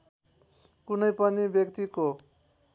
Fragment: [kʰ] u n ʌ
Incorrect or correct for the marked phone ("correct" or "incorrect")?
incorrect